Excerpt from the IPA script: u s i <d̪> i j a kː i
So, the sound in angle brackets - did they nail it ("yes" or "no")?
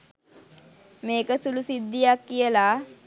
no